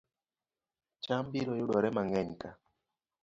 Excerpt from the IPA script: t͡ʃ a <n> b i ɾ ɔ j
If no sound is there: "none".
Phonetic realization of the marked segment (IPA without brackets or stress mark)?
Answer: m